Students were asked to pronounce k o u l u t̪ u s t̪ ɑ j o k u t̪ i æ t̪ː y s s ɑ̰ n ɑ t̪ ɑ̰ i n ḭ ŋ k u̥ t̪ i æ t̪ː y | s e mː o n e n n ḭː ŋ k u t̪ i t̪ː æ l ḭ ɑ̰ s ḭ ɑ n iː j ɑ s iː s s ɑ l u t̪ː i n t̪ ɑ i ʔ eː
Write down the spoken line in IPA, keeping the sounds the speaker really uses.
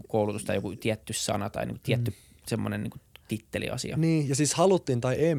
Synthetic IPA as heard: k o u l u t̪ u s t̪ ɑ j o k u t̪ i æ t̪ː y s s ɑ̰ n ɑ t̪ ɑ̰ i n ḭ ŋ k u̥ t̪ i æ t̪ː y | s e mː o n e n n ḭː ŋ k u t̪ i t̪ː e l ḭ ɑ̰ s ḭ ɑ n iː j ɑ s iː s h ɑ l u t̪ː i n t̪ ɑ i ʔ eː